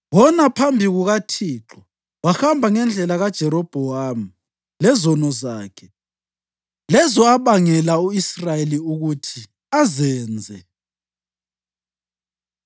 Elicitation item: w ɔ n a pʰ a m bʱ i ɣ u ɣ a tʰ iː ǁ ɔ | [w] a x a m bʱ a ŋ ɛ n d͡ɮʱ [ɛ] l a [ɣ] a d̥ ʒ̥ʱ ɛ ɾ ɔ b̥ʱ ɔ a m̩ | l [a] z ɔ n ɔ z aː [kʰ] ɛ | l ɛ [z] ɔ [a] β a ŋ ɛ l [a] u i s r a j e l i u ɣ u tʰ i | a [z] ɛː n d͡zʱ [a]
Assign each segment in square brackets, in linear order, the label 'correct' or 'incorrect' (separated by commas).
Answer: correct, correct, correct, incorrect, correct, correct, correct, correct, correct, incorrect